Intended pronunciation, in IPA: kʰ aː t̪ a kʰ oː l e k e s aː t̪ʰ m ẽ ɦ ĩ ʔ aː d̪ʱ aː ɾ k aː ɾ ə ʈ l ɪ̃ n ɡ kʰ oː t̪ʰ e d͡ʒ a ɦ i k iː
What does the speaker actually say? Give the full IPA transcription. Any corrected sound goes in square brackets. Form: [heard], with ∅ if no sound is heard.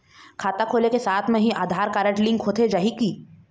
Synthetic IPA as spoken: kʰ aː t̪ a kʰ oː l e k e s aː t̪ʰ m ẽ ɦ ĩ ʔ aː d̪ʱ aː ɾ k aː ɾ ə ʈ l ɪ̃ [ŋ] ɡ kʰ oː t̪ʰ e d͡ʒ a ɦ i k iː